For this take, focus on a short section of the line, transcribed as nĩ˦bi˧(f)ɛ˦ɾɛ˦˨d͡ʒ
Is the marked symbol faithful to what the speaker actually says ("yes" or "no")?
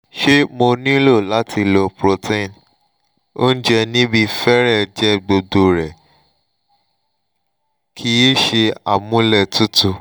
yes